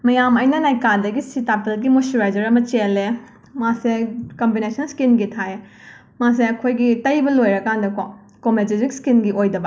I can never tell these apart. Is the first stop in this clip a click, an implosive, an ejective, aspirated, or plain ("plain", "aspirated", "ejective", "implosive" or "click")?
plain